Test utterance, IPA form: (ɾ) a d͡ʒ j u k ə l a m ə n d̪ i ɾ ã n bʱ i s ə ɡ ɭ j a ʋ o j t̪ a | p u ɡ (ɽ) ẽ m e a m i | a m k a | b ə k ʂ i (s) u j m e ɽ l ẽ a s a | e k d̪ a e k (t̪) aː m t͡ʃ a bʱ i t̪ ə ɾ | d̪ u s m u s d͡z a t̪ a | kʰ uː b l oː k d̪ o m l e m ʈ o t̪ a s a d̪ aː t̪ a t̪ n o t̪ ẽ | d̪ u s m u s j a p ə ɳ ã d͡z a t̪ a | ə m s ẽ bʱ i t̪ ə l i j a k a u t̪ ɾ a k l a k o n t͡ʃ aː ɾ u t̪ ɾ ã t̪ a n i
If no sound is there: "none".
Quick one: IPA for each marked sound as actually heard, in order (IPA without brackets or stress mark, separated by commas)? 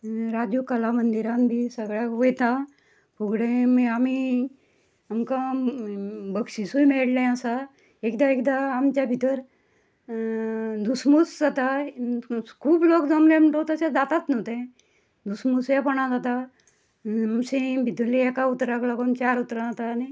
ɾ, ɽ, s, d̪